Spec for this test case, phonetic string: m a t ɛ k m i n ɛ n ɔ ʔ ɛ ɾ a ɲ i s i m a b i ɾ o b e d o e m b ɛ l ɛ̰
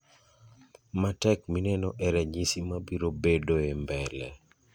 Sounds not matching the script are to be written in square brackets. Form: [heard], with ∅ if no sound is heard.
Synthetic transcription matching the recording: m a t ɛ k m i n ɛ n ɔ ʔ ɛ ɾ [ɛ] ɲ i s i m a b i ɾ o b e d o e m b ɛ l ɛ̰